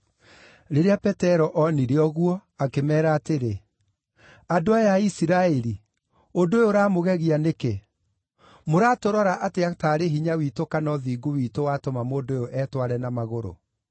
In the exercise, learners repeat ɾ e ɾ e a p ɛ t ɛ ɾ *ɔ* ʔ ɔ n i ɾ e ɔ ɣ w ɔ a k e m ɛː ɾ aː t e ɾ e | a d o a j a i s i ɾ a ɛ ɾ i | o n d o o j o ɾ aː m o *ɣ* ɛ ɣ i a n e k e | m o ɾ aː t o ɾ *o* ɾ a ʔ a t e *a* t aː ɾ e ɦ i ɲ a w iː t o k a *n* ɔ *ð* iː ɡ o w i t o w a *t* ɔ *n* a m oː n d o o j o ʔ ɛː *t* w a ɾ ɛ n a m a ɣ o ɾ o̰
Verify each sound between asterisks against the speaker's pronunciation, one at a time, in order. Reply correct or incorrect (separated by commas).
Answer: correct, correct, incorrect, correct, correct, correct, correct, incorrect, correct